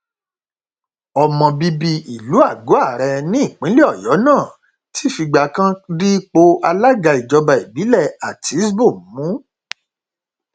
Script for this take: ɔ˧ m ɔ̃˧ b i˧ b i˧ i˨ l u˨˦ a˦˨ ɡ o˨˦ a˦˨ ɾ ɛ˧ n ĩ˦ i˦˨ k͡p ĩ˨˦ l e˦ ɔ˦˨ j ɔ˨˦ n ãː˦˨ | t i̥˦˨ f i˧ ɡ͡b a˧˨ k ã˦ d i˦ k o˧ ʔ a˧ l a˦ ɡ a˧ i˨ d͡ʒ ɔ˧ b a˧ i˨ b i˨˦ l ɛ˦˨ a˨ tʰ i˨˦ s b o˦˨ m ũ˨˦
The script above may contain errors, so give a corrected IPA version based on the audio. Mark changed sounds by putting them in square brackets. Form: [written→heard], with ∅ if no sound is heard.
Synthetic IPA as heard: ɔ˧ m ɔ̃˧ b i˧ b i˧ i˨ l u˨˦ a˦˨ ɡ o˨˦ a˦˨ ɾ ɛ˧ n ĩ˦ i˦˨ k͡p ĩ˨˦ l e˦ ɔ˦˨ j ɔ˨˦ n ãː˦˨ | t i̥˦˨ f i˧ ɡ͡b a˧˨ k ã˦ d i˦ [k→k͡p] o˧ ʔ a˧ l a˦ ɡ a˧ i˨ d͡ʒ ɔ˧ b a˧ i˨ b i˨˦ l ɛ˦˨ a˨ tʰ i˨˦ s b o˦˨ m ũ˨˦